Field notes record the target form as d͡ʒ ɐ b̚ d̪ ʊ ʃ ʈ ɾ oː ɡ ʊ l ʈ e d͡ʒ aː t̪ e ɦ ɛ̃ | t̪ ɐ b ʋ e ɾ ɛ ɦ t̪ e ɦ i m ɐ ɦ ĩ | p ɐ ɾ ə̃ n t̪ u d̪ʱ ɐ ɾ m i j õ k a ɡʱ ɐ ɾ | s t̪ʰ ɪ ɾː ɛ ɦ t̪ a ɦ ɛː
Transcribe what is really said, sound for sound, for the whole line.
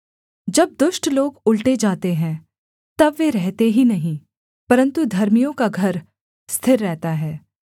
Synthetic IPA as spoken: d͡ʒ ɐ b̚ d̪ ʊ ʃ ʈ l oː ɡ ʊ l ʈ e d͡ʒ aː t̪ e ɦ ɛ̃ | t̪ ɐ b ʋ e ɾ ɛ ɦ t̪ e ɦ i n ɐ ɦ ĩ | p ɐ ɾ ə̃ n t̪ u d̪ʱ ɐ ɾ m i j õ k a ɡʱ ɐ ɾ | s t̪ʰ ɪ ɾː ɛ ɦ t̪ a ɦ ɛː